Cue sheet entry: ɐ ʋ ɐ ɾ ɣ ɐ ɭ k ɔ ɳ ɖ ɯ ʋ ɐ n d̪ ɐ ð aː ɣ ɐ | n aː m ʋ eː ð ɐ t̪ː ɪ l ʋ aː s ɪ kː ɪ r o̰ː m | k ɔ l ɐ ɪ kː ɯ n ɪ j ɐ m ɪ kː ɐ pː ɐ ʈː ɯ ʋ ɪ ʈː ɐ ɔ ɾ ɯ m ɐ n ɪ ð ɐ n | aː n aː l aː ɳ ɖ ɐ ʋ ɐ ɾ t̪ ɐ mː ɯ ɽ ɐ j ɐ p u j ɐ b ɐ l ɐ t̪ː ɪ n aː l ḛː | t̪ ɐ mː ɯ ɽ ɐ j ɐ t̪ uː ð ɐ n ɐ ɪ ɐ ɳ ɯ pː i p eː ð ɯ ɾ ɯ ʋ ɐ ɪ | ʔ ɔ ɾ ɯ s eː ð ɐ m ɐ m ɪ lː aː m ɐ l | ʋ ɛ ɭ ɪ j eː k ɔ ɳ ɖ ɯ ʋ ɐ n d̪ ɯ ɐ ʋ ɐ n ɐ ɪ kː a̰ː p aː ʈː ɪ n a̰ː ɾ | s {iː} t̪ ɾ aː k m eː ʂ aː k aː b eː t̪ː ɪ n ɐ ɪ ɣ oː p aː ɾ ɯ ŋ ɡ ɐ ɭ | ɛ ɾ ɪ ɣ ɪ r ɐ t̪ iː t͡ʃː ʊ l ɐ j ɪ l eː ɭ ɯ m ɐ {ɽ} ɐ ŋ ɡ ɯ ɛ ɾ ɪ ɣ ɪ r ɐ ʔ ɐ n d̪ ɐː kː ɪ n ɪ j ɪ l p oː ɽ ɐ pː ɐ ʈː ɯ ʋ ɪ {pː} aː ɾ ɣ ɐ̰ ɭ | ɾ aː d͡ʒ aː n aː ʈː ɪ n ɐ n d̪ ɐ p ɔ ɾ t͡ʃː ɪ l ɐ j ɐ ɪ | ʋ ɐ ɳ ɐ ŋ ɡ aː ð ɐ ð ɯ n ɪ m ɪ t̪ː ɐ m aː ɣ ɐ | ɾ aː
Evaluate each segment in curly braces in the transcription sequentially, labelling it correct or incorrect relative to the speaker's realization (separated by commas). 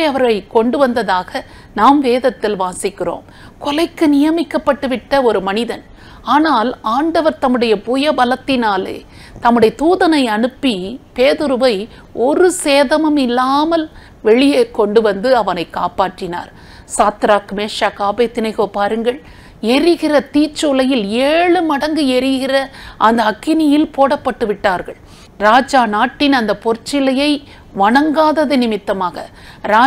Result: incorrect, correct, incorrect